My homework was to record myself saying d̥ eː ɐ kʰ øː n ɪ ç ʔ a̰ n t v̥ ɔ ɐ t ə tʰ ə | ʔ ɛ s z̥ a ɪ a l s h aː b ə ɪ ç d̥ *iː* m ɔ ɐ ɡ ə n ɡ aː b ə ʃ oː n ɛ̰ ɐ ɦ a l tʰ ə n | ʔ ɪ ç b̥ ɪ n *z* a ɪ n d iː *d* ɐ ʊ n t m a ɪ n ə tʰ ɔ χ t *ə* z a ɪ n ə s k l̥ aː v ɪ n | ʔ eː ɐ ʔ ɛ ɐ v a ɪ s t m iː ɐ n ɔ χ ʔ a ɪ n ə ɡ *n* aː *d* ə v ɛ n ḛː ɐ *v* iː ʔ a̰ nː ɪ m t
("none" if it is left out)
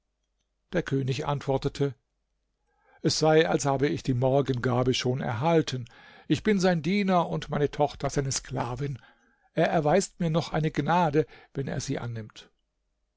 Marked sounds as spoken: iː, z, n, ɐ, n, d, z

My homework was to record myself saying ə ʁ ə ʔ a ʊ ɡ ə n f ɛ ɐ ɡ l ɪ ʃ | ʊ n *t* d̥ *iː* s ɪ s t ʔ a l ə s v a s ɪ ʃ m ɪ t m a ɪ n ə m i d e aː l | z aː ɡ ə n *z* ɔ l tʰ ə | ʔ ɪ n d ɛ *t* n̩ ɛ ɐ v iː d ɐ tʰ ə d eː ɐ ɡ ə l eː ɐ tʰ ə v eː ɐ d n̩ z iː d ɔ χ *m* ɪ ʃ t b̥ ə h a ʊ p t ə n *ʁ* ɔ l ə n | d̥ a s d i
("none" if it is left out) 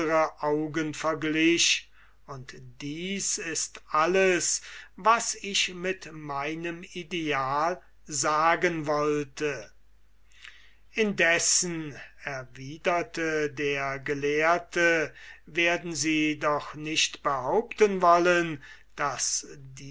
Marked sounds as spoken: t, iː, v, s, n, v

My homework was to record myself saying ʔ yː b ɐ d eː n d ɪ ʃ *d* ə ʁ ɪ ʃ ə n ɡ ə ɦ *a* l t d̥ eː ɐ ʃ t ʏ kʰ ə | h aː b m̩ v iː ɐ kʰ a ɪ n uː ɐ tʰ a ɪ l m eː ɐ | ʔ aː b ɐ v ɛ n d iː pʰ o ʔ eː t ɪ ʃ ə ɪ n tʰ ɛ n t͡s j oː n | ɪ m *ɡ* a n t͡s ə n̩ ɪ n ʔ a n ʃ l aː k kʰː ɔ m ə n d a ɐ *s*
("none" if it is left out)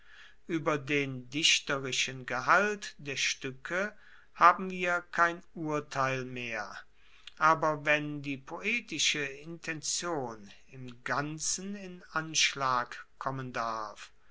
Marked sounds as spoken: t, a, ɡ, f

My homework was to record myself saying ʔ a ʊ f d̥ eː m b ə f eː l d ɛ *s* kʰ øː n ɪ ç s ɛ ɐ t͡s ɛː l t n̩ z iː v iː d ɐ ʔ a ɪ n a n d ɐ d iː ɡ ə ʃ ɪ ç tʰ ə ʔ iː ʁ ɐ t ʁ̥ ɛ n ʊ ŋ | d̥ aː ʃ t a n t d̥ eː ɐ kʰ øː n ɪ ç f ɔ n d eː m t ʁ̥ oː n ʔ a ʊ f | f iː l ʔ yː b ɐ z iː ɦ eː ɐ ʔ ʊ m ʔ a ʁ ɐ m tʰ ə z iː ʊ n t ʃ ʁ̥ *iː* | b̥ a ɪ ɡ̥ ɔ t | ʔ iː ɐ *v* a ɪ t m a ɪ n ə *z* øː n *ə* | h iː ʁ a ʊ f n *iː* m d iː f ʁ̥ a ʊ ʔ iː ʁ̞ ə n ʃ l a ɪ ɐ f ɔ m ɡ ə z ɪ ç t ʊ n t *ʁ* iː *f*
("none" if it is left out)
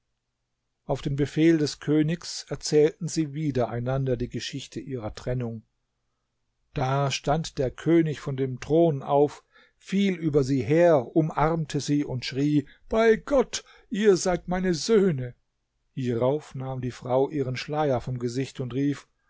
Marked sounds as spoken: s, iː, z, z, ə, aː, ʁ, f

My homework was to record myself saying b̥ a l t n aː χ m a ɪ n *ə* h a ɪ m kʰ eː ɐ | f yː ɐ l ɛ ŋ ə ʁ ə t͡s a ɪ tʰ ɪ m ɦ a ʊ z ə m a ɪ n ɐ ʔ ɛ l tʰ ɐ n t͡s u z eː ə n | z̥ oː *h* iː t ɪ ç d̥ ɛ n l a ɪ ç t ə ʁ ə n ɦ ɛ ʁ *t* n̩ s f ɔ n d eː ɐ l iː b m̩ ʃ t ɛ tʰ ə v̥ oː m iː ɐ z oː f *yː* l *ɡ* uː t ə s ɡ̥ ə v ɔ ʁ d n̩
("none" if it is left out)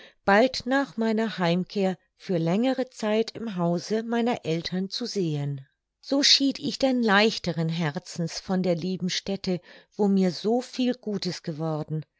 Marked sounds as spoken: ɐ, ʃ, t͡s, iː, ɡ

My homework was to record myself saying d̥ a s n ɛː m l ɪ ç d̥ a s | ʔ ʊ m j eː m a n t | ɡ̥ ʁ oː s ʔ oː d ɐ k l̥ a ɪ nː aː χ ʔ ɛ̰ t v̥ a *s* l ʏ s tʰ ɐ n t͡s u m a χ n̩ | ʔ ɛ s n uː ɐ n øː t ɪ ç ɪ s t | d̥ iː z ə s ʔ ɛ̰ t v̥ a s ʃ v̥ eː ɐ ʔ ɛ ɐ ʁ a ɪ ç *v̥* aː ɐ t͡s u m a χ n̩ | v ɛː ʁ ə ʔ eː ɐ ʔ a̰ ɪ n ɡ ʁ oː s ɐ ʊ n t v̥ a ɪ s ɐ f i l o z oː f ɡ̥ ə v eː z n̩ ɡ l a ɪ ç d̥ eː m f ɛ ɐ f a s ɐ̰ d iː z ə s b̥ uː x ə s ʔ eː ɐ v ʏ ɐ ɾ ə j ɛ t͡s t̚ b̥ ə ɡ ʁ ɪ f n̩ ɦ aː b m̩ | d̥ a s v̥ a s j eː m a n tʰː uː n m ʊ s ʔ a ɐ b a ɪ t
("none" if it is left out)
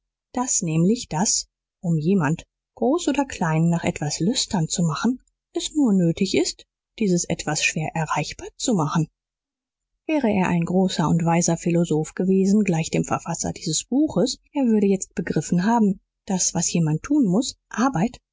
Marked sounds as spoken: s, b̥

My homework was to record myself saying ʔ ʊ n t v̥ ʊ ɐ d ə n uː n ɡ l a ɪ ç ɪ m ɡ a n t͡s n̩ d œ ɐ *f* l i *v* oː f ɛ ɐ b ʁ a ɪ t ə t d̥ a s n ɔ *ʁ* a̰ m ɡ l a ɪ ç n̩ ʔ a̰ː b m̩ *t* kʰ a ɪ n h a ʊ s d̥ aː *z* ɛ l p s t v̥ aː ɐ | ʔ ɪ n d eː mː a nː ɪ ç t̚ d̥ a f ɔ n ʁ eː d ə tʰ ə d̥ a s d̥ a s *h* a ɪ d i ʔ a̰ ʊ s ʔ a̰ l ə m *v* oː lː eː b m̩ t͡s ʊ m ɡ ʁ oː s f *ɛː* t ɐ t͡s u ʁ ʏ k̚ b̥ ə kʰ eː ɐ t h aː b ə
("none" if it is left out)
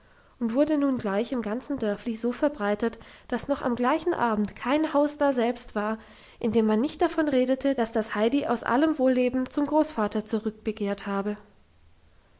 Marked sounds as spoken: f, z, χ, t, z, h, v, aː

